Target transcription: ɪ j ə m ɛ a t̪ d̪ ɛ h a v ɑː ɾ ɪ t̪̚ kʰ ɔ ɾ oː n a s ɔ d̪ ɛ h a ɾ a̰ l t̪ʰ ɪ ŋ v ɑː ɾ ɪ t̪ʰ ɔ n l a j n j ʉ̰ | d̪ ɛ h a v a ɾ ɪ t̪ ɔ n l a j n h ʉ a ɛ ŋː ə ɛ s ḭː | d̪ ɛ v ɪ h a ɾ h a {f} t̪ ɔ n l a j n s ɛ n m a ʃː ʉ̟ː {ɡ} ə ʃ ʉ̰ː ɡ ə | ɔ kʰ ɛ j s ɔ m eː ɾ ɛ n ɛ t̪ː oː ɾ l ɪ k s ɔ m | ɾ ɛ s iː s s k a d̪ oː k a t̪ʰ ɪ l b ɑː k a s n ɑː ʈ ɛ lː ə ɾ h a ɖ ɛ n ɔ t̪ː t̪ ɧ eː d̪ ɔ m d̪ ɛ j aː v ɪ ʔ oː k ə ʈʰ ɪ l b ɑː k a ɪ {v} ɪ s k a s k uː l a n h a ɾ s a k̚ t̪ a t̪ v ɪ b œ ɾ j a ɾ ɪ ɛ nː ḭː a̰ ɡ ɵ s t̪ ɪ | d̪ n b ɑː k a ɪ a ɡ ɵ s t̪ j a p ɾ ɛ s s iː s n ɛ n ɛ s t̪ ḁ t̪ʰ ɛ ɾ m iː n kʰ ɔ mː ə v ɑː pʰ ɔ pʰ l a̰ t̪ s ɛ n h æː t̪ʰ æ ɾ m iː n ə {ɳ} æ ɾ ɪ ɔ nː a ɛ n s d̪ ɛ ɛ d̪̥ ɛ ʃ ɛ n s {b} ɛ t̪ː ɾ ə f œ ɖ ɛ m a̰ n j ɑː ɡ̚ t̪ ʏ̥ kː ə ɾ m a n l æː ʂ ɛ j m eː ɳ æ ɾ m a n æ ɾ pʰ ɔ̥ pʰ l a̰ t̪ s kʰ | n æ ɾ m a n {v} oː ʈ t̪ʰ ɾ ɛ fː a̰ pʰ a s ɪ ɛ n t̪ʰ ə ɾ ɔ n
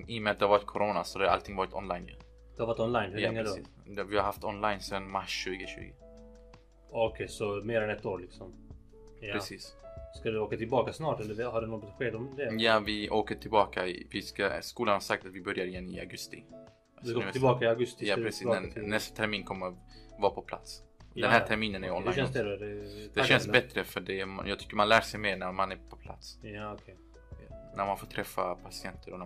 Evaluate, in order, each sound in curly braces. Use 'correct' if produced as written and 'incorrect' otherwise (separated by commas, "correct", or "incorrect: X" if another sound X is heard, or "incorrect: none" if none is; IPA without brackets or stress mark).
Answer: correct, correct, correct, incorrect: n, correct, incorrect: f